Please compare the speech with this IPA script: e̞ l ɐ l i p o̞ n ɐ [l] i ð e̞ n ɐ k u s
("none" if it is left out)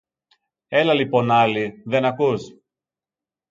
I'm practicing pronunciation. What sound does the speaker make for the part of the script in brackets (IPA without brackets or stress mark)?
l